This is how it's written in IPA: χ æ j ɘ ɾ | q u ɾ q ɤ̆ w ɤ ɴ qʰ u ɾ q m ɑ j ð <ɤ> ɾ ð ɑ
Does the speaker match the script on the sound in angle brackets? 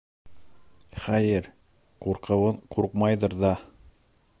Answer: yes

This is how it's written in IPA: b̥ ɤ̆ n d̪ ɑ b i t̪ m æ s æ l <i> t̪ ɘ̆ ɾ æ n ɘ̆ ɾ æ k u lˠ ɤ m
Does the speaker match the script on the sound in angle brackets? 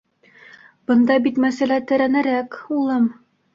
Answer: no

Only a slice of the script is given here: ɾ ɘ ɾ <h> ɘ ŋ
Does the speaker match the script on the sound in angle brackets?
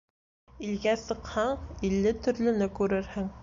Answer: yes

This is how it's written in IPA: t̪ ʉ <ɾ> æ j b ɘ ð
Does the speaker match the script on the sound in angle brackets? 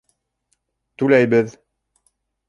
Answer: no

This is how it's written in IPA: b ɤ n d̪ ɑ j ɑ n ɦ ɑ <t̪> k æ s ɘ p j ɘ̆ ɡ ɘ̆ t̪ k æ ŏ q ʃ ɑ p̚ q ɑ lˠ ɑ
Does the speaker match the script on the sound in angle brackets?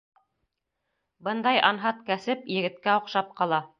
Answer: yes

